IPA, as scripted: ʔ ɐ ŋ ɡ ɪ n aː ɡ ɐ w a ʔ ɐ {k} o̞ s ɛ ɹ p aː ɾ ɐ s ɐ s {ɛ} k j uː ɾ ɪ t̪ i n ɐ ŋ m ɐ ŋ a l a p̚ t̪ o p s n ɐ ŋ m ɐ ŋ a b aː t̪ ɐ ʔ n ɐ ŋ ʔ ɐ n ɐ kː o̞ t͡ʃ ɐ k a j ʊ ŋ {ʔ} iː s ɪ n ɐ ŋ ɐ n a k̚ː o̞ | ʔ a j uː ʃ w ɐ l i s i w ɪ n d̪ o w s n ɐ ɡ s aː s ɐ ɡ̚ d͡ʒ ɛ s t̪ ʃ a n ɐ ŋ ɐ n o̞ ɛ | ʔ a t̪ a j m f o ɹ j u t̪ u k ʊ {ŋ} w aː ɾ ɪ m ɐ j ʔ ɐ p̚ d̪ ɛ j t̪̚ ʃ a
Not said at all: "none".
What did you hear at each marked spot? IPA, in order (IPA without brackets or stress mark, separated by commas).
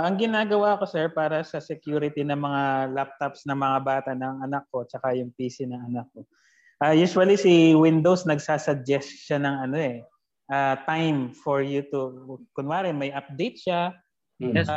k, ɛ, p, n